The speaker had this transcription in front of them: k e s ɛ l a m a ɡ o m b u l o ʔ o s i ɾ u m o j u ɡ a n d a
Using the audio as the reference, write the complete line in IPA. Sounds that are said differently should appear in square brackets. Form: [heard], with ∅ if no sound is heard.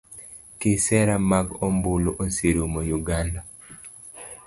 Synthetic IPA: k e s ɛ [ɾ] a m a ɡ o m b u l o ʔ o s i ɾ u m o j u ɡ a n d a